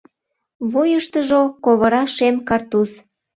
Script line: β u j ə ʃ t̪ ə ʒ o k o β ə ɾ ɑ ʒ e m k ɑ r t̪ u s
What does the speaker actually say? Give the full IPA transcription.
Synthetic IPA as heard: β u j ə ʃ t̪ ə ʒ o k o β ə ɾ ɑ ʃ e m k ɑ r t̪ u s